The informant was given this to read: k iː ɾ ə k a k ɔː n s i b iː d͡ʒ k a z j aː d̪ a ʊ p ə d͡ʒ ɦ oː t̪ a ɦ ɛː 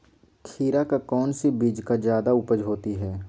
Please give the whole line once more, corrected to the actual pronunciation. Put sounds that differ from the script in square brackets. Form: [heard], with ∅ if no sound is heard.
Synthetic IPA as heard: [kʰ] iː ɾ [a] k a k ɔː n s i b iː d͡ʒ k a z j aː d̪ a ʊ p ə d͡ʒ ɦ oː t̪ [i] ɦ ɛː

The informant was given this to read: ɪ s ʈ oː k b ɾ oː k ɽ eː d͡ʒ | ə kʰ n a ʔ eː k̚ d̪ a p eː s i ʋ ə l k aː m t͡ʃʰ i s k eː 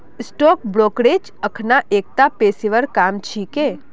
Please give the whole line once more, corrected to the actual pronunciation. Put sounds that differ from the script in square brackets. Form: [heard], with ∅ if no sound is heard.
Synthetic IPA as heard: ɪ s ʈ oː k b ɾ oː k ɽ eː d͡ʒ | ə kʰ n a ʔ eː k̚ [t̪] a p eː s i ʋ ə [ɾ] k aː m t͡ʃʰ i [∅] k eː

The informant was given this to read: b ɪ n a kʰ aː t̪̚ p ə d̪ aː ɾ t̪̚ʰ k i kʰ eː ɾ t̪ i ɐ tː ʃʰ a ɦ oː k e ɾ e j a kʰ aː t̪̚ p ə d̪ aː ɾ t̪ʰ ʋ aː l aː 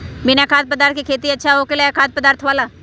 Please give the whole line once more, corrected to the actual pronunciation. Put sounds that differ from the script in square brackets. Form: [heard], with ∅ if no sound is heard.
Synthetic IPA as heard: b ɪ n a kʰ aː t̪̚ p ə d̪ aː ɾ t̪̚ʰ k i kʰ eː [∅] t̪ i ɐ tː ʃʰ a ɦ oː k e [l] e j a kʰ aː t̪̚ p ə d̪ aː ɾ t̪ʰ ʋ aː l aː

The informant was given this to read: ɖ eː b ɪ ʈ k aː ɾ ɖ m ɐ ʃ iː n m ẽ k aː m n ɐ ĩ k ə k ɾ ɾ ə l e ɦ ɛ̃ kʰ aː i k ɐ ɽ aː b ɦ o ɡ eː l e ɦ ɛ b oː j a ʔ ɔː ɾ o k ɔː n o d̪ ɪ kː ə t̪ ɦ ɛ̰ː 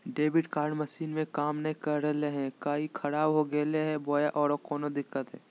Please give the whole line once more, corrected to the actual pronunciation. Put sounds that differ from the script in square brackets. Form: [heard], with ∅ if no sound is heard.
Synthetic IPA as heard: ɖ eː b ɪ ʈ k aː ɾ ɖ m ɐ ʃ iː n m ẽ k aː m n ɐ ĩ k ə [∅] ɾ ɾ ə l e ɦ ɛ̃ [k] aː i [kʰ] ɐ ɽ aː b ɦ o ɡ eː l e ɦ ɛ b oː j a ʔ ɔː ɾ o k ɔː n o d̪ ɪ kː ə t̪ ɦ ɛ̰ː

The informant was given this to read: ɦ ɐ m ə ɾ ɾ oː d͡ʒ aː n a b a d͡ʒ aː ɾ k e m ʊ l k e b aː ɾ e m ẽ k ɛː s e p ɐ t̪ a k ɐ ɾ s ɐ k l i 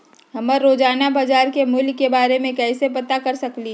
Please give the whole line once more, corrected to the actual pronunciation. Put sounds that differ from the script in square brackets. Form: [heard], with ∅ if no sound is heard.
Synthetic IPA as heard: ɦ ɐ m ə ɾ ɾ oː d͡ʒ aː n a b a d͡ʒ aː ɾ k e m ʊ l k e b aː ɾ e m ẽ k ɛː s e p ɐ t̪ a k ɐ ɾ s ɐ k l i

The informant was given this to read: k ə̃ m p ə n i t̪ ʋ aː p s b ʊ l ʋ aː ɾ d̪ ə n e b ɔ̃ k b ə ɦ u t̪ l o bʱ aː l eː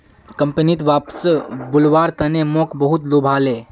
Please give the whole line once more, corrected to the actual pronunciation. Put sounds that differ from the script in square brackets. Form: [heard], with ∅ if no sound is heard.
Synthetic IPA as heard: k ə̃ m p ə n i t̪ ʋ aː p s b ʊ l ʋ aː ɾ [t̪] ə n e [m] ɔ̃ k b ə ɦ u t̪ l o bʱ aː l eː

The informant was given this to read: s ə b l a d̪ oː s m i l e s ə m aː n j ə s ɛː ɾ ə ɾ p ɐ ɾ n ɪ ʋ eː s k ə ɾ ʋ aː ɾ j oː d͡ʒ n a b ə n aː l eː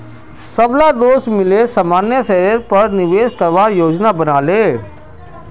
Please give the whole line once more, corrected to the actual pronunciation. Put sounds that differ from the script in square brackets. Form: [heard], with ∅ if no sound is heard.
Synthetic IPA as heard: s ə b l a d̪ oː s m [ɪ] l e s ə m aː n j ə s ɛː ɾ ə ɾ p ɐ ɾ n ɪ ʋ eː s k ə ɾ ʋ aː ɾ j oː d͡ʒ n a b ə n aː l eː

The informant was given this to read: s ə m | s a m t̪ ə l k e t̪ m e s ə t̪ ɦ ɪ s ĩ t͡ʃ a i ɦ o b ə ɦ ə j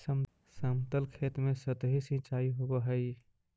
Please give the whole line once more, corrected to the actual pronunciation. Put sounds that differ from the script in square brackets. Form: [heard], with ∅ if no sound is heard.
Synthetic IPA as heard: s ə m | s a m t̪ ə l [kʰ] e t̪ m e s ə t̪ ɦ [i] s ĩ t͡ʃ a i ɦ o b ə ɦ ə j

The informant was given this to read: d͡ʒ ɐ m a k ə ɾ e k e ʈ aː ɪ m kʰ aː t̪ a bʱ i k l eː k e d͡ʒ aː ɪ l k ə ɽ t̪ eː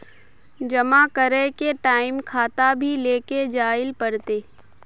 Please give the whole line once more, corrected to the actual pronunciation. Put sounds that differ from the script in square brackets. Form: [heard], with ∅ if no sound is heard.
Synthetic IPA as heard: d͡ʒ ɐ m a k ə ɾ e k e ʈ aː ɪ m kʰ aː t̪ a bʱ i [∅] l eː k e d͡ʒ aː ɪ l [p] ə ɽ t̪ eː

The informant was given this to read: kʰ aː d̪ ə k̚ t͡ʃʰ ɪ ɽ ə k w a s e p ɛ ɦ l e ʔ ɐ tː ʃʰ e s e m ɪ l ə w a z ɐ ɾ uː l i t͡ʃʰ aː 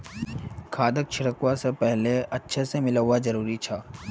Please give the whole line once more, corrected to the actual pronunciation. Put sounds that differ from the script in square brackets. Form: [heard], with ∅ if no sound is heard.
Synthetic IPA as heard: kʰ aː d̪ ə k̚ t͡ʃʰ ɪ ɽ ə k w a s e p ɛ ɦ l e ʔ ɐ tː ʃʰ e s e m ɪ l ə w a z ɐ ɾ uː [ɾ] i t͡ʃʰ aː

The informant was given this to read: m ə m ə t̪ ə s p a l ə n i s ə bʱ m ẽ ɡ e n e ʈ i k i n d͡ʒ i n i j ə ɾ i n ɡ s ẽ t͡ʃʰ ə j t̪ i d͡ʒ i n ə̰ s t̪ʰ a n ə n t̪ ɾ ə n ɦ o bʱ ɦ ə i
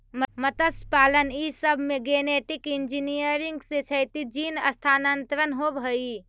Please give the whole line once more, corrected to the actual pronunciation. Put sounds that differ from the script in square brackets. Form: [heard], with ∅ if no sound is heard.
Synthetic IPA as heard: m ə m ə t̪ ə s p a l ə n i s ə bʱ m [e] ɡ e n e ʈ i k i n d͡ʒ i n i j ə ɾ i [ŋ] ɡ s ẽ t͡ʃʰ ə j t̪ i d͡ʒ i n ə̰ s t̪ʰ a n ə n t̪ ɾ ə n ɦ o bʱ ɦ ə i

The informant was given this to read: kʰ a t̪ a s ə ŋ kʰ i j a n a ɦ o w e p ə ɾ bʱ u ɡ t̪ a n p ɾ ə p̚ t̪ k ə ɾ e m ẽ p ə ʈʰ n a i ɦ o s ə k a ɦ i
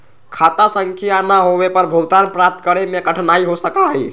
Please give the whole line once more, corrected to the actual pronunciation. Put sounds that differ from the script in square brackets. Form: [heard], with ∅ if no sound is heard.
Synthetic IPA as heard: kʰ a t̪ a s ə ŋ kʰ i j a n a ɦ o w e p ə ɾ bʱ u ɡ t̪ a n p ɾ [a] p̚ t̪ k ə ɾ e m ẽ [k] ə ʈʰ n a i ɦ o s ə k a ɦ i

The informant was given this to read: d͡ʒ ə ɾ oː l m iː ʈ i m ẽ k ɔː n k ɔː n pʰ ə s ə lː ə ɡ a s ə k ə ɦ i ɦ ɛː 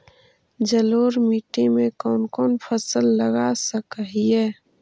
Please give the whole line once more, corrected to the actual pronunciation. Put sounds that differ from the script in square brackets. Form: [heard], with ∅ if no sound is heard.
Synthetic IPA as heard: d͡ʒ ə [l] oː [ɾ] m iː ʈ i m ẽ k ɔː n k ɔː n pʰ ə s ə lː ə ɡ a s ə k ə ɦ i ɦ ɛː

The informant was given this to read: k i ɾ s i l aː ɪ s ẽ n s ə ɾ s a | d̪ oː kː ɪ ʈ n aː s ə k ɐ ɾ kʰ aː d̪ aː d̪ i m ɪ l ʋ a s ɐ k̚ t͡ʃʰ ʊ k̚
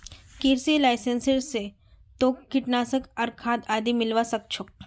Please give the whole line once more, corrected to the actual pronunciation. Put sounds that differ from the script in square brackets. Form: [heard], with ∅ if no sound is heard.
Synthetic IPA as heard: k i ɾ s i l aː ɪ s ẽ n s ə ɾ s [e] | [t̪] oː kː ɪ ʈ n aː s ə k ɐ ɾ kʰ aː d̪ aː d̪ i m ɪ l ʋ a s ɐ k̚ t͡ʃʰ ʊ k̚

